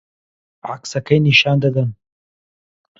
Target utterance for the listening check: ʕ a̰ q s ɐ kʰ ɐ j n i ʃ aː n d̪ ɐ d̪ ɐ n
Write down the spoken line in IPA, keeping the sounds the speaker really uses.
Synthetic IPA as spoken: ʕ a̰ k s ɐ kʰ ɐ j n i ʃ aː n d̪ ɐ d̪ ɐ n